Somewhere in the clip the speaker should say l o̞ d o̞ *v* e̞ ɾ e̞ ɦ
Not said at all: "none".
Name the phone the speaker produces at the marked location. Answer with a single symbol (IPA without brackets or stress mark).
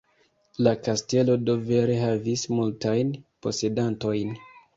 v